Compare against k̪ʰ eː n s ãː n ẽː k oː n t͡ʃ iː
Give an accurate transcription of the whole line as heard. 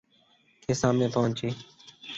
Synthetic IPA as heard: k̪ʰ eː s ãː m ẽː p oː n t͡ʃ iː